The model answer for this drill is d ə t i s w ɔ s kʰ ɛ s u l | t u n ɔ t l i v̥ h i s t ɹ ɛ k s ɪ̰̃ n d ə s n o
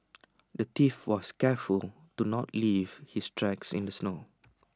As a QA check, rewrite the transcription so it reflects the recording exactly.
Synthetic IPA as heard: d ə t i f w ɔ s k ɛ f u l | t u n ɔ t l i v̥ h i s t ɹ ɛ k s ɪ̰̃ n d ə s n o